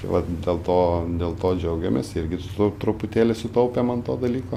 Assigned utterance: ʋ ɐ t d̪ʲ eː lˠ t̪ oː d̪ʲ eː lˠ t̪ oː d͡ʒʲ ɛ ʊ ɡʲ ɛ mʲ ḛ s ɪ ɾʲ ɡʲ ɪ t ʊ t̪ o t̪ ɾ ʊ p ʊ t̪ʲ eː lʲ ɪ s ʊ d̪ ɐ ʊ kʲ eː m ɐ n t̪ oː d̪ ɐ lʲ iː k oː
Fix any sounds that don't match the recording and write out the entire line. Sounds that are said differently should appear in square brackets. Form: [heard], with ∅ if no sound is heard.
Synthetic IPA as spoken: ʋ ɐ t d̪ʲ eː lˠ t̪ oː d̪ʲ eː lˠ t̪ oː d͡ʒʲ ɛ ʊ ɡʲ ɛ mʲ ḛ s ɪ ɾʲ ɡʲ ɪ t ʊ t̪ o t̪ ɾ ʊ p ʊ t̪ʲ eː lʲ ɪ s ʊ [t̪] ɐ ʊ [pʲ] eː m ɐ n t̪ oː d̪ ɐ lʲ iː k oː